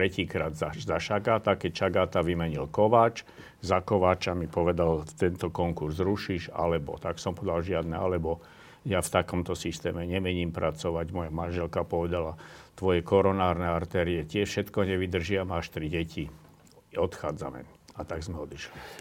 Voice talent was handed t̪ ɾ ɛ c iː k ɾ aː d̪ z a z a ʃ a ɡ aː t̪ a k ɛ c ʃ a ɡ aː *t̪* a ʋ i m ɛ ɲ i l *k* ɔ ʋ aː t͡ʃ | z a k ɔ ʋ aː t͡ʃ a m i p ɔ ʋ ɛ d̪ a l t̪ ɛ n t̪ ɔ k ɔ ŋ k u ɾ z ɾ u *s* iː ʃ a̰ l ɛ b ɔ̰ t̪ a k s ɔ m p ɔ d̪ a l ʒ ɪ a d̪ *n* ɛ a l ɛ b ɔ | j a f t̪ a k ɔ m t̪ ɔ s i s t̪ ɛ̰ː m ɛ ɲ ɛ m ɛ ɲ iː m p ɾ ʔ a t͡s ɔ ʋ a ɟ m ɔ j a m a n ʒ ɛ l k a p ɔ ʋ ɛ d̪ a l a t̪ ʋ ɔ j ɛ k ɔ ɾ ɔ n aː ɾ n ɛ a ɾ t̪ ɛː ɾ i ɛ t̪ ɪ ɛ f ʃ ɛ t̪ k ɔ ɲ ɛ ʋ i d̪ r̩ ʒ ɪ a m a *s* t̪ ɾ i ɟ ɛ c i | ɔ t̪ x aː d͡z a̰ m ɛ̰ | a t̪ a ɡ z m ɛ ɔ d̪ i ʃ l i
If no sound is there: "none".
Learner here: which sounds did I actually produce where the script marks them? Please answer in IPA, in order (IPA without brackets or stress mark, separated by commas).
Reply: t̪, k, ʃ, n, ʃ